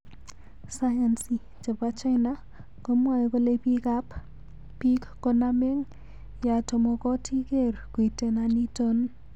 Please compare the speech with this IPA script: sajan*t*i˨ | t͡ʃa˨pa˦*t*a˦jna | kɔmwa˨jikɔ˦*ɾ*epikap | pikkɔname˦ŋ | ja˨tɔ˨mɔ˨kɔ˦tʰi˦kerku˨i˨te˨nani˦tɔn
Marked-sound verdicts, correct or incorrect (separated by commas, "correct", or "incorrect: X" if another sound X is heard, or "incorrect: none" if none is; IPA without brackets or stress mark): incorrect: s, incorrect: t͡ʃ, incorrect: l